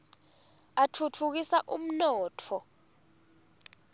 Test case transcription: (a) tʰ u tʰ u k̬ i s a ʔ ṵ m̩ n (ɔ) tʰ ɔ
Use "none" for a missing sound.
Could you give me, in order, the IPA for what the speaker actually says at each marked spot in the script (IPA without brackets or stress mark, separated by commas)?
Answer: a, ɔː